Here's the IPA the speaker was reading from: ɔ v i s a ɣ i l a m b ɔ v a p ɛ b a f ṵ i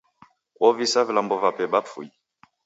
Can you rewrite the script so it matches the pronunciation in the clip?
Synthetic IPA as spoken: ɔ v i s a v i l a m b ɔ v a p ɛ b a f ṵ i